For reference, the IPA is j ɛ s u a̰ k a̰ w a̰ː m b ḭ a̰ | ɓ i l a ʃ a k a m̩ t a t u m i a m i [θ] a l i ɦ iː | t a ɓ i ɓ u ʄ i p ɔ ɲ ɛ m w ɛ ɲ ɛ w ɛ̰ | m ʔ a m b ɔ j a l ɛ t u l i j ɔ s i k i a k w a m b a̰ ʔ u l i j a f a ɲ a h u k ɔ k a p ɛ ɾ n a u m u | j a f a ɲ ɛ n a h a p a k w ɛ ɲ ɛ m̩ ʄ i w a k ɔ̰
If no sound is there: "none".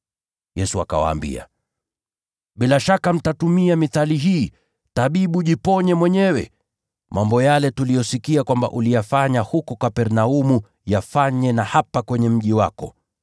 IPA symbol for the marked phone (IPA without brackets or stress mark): θ